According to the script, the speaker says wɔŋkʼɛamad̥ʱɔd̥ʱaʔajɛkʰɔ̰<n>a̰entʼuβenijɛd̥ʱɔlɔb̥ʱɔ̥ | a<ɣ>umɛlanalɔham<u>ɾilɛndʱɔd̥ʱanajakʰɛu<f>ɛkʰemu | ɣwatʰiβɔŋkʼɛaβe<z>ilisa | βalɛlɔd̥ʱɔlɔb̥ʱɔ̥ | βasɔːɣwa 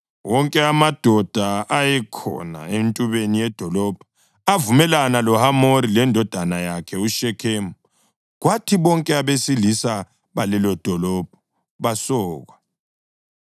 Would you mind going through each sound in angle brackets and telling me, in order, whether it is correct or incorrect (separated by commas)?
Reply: correct, incorrect, incorrect, incorrect, incorrect